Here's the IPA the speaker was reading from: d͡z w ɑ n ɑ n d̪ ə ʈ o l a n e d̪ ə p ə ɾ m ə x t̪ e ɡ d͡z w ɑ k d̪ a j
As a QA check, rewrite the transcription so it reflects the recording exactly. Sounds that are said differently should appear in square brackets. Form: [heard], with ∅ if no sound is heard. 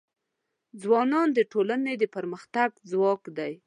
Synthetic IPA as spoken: d͡z w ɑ n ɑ n d̪ ə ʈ o l a n e d̪ ə p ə ɾ m ə x t̪ [a] ɡ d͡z w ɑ k d̪ a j